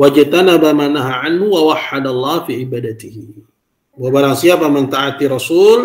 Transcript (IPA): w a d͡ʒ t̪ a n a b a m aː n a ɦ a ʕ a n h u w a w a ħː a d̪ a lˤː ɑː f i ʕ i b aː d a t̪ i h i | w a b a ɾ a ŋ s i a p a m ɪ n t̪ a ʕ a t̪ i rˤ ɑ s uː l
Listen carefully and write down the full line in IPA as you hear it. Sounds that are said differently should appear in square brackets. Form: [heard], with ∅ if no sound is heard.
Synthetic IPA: w a d͡ʒ t̪ a n a b a m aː n a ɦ a ʕ a n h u w a w a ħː a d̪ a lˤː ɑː f i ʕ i b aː d a t̪ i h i | w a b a ɾ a ŋ s i a p a m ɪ n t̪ a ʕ a t̪ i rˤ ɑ s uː l